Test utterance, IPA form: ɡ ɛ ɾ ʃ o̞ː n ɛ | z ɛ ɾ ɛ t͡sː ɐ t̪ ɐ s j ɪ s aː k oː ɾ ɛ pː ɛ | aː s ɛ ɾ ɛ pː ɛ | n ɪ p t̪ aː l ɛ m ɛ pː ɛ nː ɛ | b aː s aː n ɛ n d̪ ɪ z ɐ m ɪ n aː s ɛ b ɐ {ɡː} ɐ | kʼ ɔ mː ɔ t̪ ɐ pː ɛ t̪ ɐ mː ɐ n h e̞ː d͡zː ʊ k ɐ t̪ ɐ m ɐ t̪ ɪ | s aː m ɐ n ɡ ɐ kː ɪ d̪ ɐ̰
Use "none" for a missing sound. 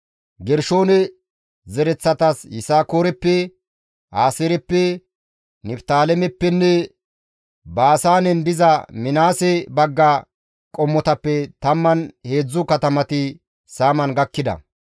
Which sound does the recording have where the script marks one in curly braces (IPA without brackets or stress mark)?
ɡː